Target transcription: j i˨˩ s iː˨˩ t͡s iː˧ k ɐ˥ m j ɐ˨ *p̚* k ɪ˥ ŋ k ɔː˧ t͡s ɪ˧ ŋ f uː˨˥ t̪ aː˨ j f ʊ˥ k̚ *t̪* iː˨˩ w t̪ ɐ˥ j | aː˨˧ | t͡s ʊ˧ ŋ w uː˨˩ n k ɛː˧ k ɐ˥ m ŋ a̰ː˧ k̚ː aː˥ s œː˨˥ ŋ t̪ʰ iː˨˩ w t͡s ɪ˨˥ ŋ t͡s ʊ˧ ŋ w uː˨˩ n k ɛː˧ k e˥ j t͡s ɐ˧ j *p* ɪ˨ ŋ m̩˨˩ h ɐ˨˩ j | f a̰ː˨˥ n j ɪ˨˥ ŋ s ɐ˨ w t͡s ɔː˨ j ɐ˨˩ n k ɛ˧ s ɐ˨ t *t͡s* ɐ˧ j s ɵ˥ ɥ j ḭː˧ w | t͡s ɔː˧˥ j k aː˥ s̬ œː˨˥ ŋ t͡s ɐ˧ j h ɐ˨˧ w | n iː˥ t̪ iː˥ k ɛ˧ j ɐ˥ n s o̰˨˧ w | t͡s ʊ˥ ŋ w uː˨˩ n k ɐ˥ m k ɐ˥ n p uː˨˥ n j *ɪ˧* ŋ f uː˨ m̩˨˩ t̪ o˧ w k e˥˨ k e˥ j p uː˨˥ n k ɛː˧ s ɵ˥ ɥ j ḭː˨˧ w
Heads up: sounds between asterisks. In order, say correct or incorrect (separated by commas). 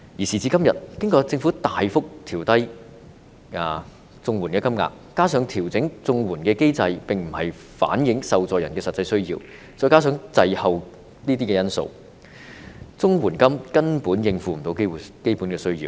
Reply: incorrect, incorrect, correct, correct, correct